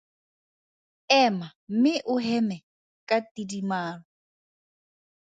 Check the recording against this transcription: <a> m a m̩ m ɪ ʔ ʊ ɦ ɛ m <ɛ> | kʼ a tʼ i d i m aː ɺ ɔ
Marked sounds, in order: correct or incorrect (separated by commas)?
incorrect, correct